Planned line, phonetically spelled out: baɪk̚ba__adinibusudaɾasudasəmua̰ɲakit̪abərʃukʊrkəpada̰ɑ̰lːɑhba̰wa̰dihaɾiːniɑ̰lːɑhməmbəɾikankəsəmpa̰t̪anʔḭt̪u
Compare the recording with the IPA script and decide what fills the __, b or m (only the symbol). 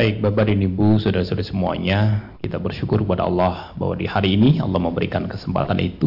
b